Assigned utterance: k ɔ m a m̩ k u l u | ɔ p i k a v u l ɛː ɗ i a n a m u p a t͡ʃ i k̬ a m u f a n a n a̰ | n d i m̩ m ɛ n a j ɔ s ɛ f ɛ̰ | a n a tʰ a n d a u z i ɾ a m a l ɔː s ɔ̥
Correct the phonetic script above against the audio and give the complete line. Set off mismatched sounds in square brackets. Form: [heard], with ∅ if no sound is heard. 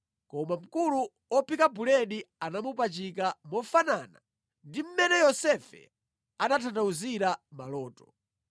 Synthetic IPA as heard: k ɔ m a m̩ k u l u | ɔ p i k a [b] u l [ɛ] ɗ i a n a m u p a t͡ʃ i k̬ a m [ɔ] f a n a n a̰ | n d i m̩ m ɛ n [ɛ] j ɔ s ɛ f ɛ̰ | a n a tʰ a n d a u z i ɾ a m a l ɔː [t] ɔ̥